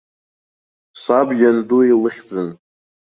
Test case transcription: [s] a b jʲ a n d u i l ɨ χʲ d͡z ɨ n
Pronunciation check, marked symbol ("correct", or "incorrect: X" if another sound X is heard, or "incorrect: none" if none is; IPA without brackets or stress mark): correct